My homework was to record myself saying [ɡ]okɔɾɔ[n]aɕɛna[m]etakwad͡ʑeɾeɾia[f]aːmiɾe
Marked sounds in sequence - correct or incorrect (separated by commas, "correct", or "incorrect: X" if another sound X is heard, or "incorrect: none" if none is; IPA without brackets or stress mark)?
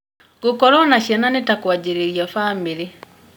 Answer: correct, correct, incorrect: n, correct